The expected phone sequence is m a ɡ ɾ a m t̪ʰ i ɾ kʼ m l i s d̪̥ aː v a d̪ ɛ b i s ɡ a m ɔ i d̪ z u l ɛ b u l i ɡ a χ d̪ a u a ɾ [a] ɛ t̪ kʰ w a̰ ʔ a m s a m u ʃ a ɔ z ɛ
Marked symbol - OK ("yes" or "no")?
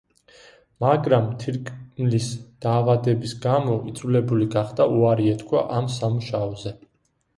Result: no